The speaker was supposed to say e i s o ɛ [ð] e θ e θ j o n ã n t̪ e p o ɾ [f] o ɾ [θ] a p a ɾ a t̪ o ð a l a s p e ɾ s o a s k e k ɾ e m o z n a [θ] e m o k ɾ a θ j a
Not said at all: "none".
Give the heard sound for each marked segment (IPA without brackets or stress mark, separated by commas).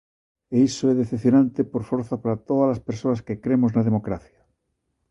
ð, f, θ, ð